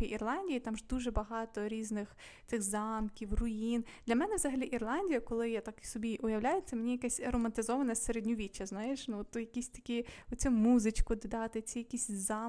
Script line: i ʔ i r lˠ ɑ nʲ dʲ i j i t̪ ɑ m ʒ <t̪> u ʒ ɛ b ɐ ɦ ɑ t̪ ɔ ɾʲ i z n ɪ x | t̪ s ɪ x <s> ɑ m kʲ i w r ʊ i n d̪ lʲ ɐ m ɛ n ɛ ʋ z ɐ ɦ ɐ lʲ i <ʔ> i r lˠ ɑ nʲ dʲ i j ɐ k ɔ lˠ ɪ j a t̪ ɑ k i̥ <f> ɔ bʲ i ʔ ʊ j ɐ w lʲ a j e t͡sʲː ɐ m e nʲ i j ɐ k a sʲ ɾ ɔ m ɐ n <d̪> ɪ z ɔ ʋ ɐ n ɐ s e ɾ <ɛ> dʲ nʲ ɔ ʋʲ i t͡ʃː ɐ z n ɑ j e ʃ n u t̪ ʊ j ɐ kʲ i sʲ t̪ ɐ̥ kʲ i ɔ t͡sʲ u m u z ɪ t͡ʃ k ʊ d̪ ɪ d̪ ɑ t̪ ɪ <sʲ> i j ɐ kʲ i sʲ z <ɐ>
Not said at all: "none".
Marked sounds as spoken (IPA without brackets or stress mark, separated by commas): d̪, z, ʔ, s, t̪, e, t͡sʲ, ɑ